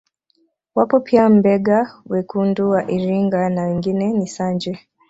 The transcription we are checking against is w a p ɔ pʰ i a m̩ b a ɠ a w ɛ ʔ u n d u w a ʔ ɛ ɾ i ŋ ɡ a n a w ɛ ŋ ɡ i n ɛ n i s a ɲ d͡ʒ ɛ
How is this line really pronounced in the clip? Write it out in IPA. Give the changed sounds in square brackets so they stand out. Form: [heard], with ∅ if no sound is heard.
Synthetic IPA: w a p ɔ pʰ i a m̩ b [ɛ] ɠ a w ɛ [k] u n d u w a ʔ [i] ɾ i ŋ ɡ a n a w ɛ ŋ ɡ i n ɛ n i s a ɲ d͡ʒ ɛ